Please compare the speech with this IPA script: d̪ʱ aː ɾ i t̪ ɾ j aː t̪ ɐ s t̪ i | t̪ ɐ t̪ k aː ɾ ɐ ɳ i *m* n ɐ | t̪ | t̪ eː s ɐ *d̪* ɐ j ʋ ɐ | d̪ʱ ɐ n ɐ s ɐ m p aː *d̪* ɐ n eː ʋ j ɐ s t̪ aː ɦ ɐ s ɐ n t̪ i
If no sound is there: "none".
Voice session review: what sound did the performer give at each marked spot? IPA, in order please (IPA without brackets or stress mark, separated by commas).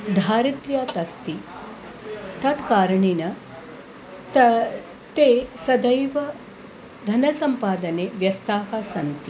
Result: none, d̪, d̪